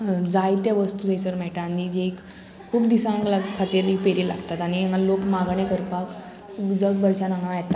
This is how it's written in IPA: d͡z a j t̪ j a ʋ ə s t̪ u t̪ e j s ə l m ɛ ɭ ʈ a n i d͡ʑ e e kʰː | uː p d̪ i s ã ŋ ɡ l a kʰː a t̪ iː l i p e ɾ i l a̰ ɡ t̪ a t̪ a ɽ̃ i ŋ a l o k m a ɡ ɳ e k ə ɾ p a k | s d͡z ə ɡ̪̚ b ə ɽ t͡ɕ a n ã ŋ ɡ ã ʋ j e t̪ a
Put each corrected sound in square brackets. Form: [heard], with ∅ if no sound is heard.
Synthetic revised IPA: d͡z a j t̪ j a ʋ ə s t̪ u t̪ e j s ə [ɾ] m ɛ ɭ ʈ a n i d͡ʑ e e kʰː | uː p d̪ i s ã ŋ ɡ l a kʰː a t̪ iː [ɾ] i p e ɾ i l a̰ ɡ t̪ a t̪ a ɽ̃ i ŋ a l o k m a ɡ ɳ e k ə ɾ p a k | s d͡z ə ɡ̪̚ b ə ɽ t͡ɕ a n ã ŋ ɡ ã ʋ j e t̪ a